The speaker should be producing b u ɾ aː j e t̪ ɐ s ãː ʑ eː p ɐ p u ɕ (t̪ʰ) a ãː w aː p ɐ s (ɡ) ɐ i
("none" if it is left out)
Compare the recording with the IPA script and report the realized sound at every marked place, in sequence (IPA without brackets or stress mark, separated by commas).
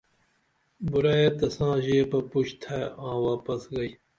t̪ʰ, ɡ